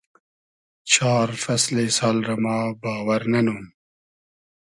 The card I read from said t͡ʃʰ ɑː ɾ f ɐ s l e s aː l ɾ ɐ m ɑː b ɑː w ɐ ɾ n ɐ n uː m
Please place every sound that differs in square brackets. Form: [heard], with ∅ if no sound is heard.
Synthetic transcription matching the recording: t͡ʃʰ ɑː ɾ f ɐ s l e s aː l ɾ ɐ m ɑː b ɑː w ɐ ɾ n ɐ n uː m